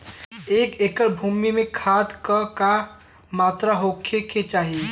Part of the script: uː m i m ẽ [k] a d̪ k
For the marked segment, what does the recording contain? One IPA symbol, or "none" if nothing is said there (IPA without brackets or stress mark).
kʰ